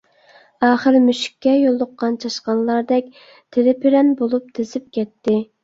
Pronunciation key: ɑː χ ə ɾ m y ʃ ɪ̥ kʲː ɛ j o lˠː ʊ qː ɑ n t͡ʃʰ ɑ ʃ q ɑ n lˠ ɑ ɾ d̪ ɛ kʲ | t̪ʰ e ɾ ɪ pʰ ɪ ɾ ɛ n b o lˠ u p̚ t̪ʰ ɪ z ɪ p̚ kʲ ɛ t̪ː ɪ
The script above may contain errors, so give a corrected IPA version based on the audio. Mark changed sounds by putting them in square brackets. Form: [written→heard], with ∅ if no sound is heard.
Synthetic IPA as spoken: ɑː χ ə ɾ m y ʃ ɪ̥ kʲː ɛ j o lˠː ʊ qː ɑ n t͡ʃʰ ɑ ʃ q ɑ n lˠ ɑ ɾ d̪ ɛ kʲ | t̪ʰ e ɾ ɪ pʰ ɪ ɾ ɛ n b o lˠ u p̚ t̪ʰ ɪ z ɪ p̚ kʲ ɛ t̪ː ɪ